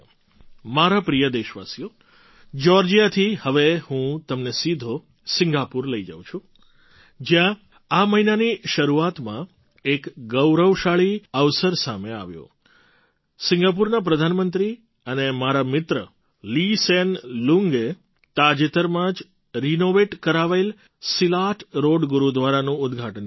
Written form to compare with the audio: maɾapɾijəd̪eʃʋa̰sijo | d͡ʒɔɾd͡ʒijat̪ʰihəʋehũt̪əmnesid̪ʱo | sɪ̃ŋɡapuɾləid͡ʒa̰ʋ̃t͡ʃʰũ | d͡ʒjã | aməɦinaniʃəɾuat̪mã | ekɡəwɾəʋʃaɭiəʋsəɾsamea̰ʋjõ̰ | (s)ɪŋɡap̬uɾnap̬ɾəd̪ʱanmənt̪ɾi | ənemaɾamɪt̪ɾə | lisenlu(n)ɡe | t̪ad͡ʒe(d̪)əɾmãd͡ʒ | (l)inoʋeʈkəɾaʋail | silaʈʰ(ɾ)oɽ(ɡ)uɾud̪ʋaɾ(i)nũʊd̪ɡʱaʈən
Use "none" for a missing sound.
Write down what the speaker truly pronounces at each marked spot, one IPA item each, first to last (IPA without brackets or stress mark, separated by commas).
s, ŋ, t̪, ɾ, ɾ, ɡ, a